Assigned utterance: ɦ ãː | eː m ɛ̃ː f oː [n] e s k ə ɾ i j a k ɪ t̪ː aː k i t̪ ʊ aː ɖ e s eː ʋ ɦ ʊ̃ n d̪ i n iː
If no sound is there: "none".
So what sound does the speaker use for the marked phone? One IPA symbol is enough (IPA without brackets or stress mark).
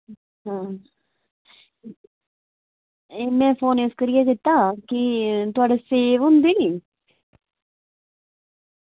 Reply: n